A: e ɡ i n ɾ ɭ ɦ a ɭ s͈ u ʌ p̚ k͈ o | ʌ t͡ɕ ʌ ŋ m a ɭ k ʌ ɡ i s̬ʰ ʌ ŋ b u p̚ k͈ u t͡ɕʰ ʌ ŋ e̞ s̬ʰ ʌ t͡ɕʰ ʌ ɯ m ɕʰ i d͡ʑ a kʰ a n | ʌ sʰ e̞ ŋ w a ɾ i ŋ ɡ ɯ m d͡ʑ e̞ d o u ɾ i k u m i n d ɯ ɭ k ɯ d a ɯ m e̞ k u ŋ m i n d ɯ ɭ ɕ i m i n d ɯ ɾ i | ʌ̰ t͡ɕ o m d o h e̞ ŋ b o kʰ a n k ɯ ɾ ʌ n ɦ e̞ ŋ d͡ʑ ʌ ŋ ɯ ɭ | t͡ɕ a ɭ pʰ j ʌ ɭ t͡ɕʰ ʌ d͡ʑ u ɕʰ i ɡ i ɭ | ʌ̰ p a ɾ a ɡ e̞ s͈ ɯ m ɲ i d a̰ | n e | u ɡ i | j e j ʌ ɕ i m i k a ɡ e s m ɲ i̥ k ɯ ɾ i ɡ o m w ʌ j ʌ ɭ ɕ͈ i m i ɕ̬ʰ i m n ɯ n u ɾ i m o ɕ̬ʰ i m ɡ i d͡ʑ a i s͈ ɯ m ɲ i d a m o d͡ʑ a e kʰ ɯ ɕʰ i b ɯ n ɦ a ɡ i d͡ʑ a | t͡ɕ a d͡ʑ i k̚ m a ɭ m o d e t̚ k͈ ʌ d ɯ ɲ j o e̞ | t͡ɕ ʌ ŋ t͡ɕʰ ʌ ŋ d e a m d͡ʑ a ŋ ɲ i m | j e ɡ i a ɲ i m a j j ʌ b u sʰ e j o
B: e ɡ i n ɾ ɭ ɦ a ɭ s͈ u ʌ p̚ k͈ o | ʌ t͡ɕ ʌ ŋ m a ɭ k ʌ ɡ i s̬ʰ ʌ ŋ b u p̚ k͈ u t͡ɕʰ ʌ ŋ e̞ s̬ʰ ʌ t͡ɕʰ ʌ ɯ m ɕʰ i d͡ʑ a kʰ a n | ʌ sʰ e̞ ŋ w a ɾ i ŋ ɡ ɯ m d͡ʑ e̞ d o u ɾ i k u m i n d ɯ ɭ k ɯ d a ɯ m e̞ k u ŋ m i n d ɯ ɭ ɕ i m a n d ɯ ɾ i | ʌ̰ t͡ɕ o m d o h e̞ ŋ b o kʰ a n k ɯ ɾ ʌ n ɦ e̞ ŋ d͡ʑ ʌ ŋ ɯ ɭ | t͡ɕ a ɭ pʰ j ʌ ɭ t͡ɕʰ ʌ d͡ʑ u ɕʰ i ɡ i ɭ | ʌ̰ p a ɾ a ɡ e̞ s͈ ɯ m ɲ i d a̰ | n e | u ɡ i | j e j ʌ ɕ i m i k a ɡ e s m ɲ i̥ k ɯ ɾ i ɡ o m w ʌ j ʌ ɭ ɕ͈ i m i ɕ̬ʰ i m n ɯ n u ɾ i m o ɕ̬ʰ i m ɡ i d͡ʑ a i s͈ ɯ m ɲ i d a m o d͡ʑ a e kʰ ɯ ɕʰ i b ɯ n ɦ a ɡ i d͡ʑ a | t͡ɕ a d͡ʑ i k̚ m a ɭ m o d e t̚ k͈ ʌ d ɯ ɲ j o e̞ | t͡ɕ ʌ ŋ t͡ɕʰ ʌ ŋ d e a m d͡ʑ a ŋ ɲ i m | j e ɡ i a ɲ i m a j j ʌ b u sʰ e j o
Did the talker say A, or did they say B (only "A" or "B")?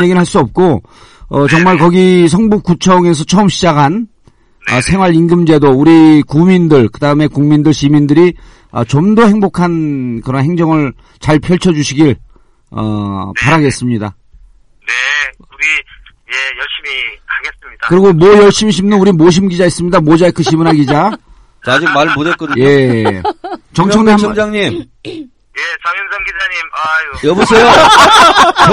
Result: A